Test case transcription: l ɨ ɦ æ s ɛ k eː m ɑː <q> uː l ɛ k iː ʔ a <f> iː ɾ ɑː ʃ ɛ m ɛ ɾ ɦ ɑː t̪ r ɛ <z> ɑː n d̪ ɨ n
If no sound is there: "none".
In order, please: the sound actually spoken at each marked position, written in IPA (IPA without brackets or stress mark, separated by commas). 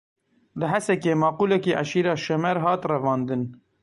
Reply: q, ʃ, v